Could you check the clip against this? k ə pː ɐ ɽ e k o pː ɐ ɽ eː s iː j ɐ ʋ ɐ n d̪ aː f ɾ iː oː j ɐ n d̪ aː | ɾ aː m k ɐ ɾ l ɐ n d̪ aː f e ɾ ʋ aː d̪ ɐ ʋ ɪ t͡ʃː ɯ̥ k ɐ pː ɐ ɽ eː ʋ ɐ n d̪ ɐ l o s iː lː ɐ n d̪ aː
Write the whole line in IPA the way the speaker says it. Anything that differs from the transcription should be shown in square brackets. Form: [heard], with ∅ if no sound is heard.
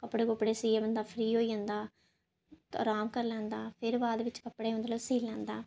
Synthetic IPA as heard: k [ɐ] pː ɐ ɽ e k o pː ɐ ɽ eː s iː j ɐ ʋ ɐ n d̪ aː f ɾ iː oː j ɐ n d̪ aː | ɾ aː m k ɐ ɾ l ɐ n d̪ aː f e ɾ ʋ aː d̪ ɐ ʋ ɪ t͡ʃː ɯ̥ k ɐ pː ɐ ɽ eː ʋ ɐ n d̪ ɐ l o s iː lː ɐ n d̪ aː